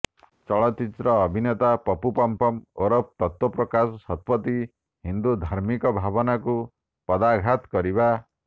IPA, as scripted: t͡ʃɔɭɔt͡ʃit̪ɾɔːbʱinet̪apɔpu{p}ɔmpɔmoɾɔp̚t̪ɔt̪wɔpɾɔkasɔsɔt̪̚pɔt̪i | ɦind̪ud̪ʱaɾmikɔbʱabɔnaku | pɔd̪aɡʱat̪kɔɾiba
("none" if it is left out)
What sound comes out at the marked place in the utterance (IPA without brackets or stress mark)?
p